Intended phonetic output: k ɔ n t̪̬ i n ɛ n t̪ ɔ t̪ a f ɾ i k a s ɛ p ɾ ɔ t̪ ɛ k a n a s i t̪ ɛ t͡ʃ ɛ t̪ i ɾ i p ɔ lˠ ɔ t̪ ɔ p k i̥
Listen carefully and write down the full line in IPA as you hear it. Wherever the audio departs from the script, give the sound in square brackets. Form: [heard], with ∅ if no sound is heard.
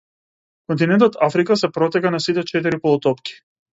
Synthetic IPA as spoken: k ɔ n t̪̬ i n ɛ n t̪ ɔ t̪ a f ɾ i k a s ɛ p ɾ ɔ t̪ ɛ k a n a s i t̪ ɛ t͡ʃ ɛ t̪ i ɾ i p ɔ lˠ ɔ t̪ ɔ p k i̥